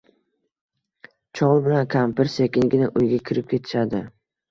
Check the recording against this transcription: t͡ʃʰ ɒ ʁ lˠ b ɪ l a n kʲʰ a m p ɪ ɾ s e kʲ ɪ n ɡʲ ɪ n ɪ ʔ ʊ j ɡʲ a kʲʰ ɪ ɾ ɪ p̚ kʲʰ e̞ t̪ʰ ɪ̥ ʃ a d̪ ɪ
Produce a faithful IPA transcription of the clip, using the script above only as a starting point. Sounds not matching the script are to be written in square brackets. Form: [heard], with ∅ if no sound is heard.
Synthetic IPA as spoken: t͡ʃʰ ɒ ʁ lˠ b ɪ l a n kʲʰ a m p ɪ ɾ s e kʲ ɪ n ɡʲ ɪ n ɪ ʔ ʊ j ɡʲ a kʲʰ ɪ ɾ ɪ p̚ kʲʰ e̞ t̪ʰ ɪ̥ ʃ a d̪ ɪ